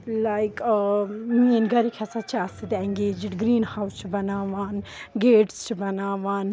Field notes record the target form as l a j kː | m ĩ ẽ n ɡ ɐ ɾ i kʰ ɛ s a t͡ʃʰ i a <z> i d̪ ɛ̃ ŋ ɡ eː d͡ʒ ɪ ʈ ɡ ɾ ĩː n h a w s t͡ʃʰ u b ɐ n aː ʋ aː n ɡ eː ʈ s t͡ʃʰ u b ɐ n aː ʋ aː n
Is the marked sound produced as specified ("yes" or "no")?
no